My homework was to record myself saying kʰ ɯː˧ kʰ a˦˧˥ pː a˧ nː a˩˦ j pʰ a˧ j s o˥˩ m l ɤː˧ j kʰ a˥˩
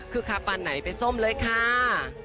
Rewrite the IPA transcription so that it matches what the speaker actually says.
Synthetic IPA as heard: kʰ ɯː˧ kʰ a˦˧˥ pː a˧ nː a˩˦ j p a˧ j s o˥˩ m l ɤː˧ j kʰ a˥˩